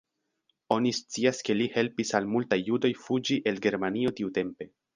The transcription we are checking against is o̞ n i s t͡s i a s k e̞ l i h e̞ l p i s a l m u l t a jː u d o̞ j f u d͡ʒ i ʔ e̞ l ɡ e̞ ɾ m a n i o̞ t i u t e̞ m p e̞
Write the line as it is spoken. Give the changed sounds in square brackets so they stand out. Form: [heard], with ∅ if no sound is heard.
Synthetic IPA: o̞ n i s t͡s i a s k e̞ l i h e̞ l p i s a l m u l t a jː u d o̞ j f u d͡ʒ i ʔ e̞ l ɡ e̞ ɾ m a n i o̞ t i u t e̞ m p e̞